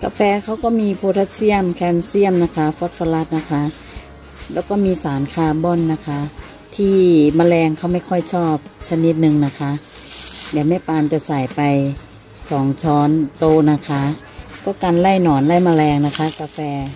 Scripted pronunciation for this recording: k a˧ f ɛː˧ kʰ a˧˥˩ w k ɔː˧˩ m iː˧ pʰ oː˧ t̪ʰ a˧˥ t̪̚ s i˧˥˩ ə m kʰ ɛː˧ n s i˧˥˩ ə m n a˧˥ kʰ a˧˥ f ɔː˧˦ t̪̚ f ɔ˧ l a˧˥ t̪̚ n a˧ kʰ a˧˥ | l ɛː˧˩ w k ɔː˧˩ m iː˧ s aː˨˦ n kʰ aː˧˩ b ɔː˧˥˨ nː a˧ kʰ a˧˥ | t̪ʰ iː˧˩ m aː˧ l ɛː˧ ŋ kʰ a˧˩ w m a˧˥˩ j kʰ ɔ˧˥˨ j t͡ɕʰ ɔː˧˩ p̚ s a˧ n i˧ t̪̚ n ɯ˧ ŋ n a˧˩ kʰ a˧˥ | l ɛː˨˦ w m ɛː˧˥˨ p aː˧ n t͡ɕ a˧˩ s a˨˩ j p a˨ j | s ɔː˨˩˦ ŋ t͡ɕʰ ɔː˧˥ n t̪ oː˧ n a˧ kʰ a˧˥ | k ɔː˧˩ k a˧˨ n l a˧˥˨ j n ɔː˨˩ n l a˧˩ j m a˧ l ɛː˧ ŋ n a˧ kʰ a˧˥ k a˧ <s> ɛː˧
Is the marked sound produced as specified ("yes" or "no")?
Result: no